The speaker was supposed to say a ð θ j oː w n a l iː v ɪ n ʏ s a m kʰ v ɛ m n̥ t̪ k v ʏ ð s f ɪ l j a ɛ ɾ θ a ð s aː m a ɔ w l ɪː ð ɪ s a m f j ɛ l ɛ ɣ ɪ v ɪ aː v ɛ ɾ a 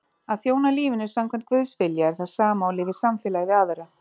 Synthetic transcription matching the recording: a ð θ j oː w n a l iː v ɪ n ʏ s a m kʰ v ɛ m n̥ t̪ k v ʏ ð s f ɪ l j a ɛ ɾ θ a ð s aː m a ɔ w l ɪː v ɪ s a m f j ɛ l a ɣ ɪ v ɪ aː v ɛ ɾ a